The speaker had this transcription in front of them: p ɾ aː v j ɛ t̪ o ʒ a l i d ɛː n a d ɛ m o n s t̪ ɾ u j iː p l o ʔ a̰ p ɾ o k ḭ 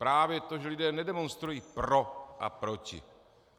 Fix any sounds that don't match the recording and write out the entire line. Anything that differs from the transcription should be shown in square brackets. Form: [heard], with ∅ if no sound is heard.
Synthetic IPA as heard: p ɾ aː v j ɛ t̪ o ʒ [ɛ] l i d ɛː n [ɛ] d ɛ m o n s t̪ ɾ u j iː p [ɾ] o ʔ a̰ p ɾ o [c] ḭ